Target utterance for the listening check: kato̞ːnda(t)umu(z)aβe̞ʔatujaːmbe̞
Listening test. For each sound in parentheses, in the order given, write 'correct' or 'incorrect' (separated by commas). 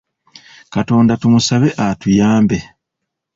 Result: correct, incorrect